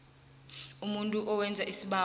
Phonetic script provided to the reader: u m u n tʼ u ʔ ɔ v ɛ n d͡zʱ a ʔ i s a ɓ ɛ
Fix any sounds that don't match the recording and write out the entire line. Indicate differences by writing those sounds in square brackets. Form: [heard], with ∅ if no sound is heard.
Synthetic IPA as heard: u m u n tʼ u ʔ ɔ [w] ɛ n d͡zʱ a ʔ i s [i] ɓ [a]